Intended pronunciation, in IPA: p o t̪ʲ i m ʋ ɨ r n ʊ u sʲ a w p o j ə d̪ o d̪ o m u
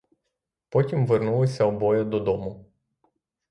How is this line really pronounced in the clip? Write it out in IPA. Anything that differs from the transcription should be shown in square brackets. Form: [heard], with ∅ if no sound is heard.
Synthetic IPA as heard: p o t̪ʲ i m [v] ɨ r n [u] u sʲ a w [b] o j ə d̪ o d̪ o m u